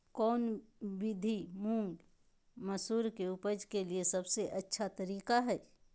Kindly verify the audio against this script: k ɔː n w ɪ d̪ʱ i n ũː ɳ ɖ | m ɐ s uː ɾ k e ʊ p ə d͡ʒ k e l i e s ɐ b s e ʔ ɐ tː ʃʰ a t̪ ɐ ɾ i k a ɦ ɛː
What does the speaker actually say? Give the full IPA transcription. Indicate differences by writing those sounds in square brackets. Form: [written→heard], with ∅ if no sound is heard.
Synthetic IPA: k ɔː n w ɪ d̪ʱ i [n→m] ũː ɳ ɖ | m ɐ s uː ɾ k e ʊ p ə d͡ʒ k e l i e s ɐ b s e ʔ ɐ tː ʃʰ a t̪ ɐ ɾ [i→iː] k a ɦ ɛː